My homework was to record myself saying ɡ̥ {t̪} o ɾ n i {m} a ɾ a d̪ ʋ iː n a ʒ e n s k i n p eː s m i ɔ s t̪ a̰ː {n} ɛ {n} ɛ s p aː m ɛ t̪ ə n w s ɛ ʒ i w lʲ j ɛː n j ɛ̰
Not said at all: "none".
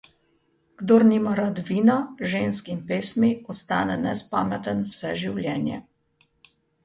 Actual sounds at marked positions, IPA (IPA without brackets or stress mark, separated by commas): d̪, m, n, n